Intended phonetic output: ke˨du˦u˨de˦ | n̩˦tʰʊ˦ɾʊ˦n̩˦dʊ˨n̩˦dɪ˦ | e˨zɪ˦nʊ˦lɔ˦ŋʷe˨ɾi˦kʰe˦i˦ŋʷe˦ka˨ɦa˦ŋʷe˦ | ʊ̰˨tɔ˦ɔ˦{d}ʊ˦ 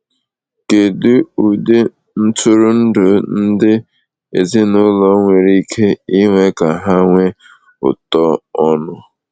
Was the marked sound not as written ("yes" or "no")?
yes